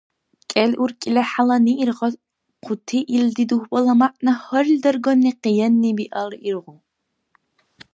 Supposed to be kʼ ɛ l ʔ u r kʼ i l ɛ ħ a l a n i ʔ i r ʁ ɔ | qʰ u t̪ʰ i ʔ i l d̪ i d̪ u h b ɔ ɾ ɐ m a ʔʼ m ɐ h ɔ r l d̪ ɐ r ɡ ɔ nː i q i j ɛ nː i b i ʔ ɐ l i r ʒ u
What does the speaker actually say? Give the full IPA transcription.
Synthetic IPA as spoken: kʼ ɛ l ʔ u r kʼ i l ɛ ħ a l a n i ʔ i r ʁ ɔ | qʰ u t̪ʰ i ʔ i l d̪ i d̪ u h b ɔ l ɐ m a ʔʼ n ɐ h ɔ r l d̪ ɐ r ɡ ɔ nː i q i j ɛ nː i b i ʔ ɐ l i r ʁ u